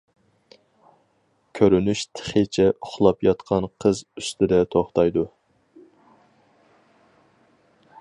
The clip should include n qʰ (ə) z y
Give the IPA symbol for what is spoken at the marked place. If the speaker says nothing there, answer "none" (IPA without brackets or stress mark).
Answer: ə